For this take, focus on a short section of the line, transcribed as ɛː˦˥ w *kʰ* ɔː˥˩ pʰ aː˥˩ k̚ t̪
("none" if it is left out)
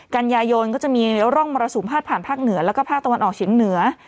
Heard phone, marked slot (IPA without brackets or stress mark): k